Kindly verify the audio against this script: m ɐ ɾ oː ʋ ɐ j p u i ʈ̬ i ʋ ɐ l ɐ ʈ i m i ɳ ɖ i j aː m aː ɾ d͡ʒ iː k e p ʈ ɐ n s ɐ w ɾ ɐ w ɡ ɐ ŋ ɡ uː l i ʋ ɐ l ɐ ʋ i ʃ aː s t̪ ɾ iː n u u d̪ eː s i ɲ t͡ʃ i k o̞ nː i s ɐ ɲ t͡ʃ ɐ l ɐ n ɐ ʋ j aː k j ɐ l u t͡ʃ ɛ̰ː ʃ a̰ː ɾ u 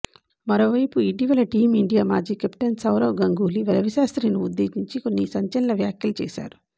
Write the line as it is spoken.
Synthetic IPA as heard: m ɐ ɾ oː ʋ ɐ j p u i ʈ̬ i ʋ ɐ l ɐ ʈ iː m i ɳ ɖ i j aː m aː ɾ d͡ʒ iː k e p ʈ ɐ n s ɐ w ɾ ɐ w ɡ ɐ ŋ ɡ uː l i ʋ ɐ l ɐ ʋ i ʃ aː s t̪ ɾ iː n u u d̪ː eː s i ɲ t͡ʃ i k o̞ nː i s ɐ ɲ t͡ʃ ɐ l ɐ n ɐ ʋ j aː k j ɐ l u t͡ʃ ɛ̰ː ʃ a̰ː ɾ u